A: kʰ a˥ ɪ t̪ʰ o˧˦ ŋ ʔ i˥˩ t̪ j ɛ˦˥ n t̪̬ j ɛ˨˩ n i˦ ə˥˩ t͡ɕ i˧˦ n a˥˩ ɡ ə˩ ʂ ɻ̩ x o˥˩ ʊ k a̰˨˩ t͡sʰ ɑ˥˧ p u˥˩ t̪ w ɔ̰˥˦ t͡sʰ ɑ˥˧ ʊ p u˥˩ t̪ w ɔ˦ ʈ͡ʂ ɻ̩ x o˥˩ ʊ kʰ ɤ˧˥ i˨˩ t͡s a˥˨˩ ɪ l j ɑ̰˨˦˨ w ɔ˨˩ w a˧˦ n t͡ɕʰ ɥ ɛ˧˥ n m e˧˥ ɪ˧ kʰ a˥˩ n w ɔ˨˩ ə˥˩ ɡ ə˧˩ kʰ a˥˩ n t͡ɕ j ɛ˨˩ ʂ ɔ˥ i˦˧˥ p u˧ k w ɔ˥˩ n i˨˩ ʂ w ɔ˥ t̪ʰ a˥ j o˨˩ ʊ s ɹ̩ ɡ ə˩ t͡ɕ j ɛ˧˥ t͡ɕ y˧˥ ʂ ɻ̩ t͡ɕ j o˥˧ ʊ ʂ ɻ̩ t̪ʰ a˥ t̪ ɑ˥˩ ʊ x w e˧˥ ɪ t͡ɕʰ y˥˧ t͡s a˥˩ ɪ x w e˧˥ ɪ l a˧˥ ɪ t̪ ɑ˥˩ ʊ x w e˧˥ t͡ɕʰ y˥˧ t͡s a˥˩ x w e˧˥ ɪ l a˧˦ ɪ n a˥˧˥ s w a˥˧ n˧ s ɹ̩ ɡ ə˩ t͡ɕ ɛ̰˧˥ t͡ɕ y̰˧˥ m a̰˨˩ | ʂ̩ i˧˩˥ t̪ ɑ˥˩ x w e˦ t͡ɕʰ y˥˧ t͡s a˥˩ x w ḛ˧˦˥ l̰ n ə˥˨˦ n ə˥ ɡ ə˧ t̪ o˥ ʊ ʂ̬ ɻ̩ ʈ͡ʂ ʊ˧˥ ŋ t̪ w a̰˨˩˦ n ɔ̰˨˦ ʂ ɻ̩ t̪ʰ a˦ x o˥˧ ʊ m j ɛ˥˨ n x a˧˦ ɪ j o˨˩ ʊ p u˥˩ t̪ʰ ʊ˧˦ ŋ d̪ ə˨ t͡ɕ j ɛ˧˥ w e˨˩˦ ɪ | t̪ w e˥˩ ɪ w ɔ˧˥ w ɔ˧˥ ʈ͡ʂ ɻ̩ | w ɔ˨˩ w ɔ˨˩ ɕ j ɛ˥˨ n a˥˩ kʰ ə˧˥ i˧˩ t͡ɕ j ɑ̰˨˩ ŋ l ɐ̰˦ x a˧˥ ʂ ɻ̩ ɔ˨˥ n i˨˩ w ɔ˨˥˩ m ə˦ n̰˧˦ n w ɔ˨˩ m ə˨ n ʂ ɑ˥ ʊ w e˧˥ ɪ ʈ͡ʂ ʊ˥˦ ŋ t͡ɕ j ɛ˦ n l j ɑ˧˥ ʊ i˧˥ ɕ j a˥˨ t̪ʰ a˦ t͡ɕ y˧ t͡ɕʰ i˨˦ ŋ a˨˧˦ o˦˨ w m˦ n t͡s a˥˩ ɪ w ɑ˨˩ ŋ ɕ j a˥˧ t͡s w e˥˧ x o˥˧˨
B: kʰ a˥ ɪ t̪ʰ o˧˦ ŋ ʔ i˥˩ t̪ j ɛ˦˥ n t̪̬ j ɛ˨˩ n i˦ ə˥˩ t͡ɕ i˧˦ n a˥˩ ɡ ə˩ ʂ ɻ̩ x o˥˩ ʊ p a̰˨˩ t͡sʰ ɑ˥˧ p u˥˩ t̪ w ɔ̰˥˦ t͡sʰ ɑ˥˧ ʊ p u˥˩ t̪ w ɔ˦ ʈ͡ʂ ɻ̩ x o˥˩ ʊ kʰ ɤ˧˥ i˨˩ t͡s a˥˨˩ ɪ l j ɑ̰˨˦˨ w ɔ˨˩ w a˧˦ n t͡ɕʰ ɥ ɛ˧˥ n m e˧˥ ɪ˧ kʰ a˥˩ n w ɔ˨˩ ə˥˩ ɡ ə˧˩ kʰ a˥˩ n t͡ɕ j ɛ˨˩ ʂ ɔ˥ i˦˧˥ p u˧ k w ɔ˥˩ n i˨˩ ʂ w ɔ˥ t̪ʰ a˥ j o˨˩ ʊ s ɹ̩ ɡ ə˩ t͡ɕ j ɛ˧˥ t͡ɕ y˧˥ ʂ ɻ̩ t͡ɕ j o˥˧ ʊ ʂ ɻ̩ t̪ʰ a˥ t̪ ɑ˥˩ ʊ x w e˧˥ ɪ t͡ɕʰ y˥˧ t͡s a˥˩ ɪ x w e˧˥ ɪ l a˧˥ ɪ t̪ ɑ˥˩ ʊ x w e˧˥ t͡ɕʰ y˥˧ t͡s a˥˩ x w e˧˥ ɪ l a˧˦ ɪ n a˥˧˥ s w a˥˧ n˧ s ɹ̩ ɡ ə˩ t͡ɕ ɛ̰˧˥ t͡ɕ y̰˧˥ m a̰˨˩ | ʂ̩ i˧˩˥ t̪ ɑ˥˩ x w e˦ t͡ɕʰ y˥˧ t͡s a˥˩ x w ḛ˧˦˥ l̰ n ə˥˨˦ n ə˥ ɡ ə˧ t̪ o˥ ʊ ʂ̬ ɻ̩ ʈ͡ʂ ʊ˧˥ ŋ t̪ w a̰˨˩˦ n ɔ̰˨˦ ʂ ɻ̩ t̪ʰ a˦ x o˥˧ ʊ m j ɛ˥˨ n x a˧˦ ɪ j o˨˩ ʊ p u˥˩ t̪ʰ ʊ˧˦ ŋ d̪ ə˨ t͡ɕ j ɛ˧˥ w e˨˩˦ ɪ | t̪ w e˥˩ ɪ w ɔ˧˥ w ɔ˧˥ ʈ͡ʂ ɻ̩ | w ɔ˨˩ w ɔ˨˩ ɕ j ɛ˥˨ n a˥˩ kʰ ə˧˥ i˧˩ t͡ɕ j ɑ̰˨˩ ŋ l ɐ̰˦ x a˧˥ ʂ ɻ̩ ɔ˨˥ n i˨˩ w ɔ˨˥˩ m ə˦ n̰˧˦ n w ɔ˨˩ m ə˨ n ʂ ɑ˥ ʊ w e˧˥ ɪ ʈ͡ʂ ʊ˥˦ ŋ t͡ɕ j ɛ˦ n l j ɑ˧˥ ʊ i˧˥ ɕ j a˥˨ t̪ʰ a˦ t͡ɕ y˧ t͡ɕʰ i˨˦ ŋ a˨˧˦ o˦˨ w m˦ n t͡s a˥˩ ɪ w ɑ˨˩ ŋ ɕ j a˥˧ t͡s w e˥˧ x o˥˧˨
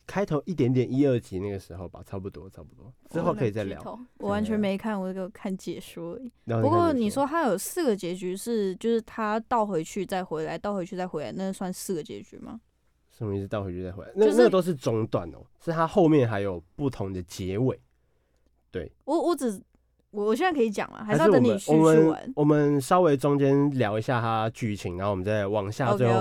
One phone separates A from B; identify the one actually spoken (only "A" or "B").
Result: B